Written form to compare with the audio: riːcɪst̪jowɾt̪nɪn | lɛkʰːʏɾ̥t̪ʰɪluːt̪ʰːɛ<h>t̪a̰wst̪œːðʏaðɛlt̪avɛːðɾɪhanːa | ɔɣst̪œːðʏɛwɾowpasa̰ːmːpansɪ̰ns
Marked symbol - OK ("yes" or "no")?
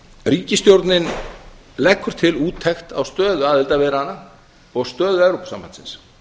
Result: no